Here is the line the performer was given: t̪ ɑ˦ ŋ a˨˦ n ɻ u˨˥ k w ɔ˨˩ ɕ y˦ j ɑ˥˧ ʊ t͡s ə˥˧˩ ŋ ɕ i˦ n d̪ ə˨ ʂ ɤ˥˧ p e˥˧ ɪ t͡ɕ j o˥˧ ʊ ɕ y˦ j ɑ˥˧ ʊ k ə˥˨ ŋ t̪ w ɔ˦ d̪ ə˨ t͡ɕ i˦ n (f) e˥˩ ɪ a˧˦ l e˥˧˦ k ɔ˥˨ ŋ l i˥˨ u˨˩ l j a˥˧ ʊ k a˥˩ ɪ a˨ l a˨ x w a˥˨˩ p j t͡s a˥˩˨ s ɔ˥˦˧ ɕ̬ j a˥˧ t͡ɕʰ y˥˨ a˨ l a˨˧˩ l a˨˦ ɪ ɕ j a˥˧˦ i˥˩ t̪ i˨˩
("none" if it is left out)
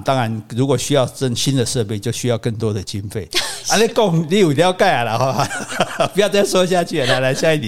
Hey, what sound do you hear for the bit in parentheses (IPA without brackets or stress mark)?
f